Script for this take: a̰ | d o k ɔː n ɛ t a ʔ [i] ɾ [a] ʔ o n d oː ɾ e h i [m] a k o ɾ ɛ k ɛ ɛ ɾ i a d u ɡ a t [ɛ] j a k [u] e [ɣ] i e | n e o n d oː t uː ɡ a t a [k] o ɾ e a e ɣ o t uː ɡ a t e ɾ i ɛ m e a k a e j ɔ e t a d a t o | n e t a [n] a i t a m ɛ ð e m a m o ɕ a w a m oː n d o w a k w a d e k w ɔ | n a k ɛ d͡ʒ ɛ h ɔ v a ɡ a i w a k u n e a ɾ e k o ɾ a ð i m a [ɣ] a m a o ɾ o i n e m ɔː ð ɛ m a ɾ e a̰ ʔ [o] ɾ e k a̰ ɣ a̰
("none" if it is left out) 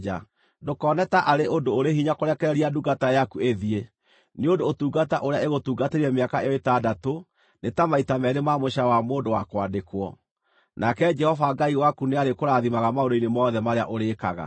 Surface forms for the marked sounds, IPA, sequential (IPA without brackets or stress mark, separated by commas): a, e, ɲ, a, u, ð, ʔ, m, ɣ, o